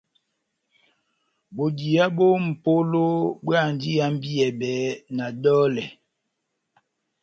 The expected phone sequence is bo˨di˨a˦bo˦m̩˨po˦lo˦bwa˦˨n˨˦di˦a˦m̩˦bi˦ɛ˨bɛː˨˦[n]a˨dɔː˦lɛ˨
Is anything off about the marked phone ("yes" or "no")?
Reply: no